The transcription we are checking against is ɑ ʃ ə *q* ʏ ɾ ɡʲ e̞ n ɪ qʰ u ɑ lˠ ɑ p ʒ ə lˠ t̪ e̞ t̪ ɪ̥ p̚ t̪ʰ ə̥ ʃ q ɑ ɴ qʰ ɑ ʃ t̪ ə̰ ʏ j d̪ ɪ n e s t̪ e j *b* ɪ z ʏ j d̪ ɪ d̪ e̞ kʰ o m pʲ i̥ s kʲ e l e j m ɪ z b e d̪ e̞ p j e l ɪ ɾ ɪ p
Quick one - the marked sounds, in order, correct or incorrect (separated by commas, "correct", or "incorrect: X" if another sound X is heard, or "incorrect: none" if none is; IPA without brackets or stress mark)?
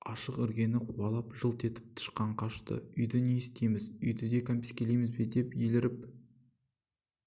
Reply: correct, incorrect: m